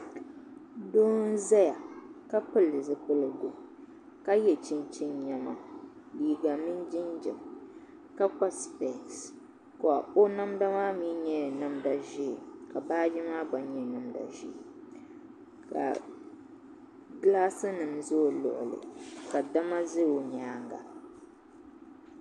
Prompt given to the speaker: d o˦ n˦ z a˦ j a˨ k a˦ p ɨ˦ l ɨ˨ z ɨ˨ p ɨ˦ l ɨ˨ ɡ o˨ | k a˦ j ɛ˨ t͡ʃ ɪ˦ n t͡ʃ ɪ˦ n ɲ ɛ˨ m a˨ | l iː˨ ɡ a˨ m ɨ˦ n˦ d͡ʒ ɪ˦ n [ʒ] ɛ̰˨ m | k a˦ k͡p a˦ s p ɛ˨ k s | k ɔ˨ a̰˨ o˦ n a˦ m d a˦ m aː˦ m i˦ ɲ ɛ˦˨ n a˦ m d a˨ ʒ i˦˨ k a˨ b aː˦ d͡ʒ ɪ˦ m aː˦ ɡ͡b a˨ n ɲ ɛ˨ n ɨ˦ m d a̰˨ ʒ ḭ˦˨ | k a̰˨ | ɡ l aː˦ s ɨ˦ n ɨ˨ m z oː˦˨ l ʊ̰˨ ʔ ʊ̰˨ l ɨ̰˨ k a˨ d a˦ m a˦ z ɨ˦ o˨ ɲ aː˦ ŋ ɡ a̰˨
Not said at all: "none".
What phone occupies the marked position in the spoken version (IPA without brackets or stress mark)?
d͡ʒ